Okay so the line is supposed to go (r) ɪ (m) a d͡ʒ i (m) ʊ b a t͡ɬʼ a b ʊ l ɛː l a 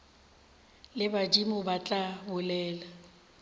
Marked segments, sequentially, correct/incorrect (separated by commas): incorrect, incorrect, correct